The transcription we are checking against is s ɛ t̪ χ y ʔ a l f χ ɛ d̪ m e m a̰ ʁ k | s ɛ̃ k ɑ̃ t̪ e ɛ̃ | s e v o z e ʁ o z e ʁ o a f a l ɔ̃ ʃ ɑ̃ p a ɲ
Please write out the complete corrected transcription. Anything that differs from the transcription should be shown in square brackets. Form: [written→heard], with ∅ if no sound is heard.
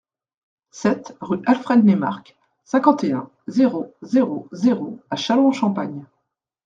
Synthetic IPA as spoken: s ɛ t̪ [χ→ʁ] y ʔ a l f χ ɛ d̪ [m→n] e m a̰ ʁ k | s ɛ̃ k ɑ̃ t̪ e ɛ̃ | [s→z] e [v→ʁ] o z e ʁ o z e ʁ o a [f→ʃ] a l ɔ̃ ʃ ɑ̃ p a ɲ